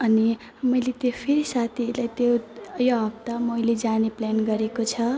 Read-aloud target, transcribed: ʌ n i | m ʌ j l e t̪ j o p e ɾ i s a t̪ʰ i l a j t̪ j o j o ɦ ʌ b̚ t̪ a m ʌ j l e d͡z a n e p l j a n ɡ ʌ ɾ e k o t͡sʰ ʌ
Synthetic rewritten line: ʌ n i | m ʌ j l e t̪ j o pʰ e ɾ i s a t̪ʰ i l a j t̪ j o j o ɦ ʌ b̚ t̪ a m ʌ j l e d͡z a n e p l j a n ɡ ʌ ɾ e k o t͡sʰ ʌ